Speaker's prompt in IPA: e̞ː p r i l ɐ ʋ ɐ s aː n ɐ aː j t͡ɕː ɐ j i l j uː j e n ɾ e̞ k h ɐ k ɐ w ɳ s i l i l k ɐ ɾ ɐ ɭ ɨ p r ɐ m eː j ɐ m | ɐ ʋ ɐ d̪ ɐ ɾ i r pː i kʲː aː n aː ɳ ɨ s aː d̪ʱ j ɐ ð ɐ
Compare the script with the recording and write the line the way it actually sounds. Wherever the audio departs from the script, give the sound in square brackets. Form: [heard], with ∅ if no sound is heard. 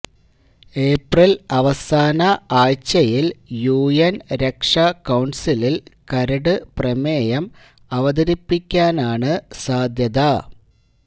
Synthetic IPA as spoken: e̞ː p r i l ɐ ʋ ɐ s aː n ɐ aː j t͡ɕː ɐ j i l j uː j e n ɾ e̞ k [ʂ] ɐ k ɐ w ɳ s i l i l k ɐ ɾ ɐ [ɽ] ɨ p r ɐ m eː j ɐ m | ɐ ʋ ɐ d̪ ɐ ɾ i [∅] pː i kʲː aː n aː ɳ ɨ s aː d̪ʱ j ɐ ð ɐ